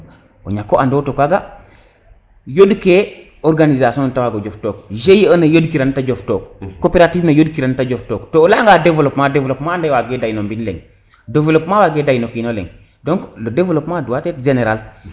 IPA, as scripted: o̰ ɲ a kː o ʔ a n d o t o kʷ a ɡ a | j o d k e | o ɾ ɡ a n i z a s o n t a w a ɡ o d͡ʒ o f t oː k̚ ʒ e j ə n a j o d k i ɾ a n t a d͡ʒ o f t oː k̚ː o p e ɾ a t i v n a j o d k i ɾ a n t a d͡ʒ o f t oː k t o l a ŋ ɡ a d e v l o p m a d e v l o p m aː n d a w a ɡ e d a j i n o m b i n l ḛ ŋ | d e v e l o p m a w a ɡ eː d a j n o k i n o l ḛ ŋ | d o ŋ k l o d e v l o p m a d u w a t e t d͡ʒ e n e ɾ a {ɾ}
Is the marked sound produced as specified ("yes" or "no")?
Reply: no